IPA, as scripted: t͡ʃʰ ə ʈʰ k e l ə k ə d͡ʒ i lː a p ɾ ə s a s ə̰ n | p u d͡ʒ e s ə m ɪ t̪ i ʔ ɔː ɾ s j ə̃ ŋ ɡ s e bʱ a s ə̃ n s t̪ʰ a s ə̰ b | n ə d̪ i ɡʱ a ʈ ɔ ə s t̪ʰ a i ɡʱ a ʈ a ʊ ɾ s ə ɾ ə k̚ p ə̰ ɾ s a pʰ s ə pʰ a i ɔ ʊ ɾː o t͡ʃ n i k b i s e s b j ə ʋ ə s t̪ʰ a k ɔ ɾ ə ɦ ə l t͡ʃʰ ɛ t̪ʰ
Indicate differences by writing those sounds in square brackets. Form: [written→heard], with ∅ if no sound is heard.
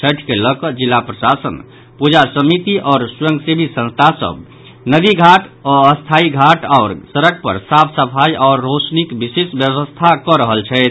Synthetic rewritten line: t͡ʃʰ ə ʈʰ k e l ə k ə d͡ʒ i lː a p ɾ ə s a s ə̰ n | p u d͡ʒ [e→a] s ə m [ɪ→i] t̪ i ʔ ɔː ɾ s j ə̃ ŋ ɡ s e bʱ [a→i] s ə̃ n s t̪ʰ a s ə̰ b | n ə d̪ i ɡʱ a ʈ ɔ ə s t̪ʰ a i ɡʱ a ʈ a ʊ ɾ s ə ɾ ə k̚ p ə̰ ɾ s a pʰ s ə pʰ a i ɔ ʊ ɾː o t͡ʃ n i k b i s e s b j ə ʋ ə s t̪ʰ a k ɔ ɾ ə ɦ ə l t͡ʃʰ ɛ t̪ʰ